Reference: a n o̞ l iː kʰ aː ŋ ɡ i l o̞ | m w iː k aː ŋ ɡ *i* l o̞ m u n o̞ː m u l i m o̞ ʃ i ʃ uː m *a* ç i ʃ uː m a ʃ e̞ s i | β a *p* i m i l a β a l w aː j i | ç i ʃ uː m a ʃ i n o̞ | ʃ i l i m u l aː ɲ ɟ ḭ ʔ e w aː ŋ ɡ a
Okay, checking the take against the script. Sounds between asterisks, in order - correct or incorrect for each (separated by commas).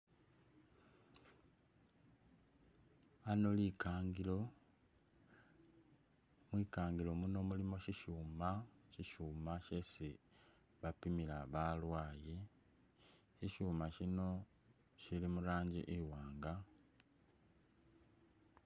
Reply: correct, correct, correct